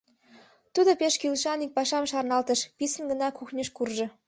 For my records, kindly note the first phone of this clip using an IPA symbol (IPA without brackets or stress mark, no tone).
t̪